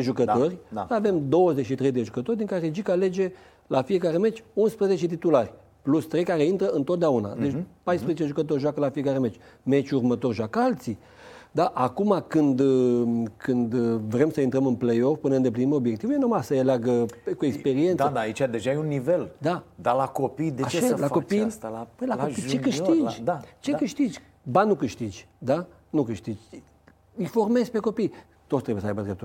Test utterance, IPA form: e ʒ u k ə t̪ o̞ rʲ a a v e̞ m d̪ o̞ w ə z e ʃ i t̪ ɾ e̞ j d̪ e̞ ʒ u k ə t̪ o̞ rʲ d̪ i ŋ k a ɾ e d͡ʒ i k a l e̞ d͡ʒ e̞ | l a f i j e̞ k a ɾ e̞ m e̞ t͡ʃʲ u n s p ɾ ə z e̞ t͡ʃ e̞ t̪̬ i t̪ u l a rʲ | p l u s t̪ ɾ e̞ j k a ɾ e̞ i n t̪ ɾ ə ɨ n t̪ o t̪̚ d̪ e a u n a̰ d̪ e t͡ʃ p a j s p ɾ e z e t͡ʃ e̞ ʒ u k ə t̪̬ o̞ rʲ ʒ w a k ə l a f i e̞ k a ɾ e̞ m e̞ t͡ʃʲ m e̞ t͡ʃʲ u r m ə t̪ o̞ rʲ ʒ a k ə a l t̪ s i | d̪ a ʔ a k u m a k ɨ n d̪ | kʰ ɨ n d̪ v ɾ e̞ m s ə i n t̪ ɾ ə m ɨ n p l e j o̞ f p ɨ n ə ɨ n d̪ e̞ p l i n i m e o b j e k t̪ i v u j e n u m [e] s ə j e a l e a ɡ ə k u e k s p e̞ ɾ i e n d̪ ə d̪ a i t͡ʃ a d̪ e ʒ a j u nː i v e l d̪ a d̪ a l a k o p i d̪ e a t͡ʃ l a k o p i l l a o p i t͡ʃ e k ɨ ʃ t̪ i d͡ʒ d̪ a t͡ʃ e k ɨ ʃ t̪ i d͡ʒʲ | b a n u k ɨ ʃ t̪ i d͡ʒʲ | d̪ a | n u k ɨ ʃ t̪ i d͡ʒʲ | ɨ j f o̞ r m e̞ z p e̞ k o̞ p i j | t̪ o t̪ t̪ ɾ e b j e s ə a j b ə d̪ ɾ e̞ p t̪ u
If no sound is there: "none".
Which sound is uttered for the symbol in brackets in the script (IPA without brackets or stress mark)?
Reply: a